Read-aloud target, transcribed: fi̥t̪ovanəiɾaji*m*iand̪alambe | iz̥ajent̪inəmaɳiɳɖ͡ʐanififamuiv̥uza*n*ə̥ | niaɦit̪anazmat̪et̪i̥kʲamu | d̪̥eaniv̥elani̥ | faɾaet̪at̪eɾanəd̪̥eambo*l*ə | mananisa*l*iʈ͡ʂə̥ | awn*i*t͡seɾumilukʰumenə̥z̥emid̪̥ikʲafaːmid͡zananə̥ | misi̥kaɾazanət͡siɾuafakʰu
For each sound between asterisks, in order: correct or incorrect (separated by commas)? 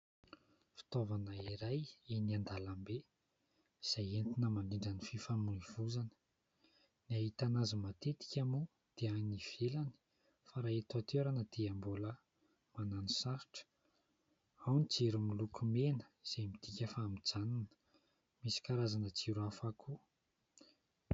incorrect, correct, correct, incorrect, correct